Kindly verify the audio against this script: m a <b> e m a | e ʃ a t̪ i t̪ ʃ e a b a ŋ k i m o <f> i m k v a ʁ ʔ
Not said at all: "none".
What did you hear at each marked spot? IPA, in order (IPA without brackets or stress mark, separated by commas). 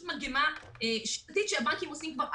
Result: ɡ, s